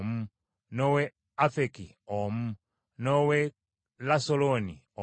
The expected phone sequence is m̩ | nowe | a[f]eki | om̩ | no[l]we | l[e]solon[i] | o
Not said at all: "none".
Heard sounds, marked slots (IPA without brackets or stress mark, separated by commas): f, none, a, i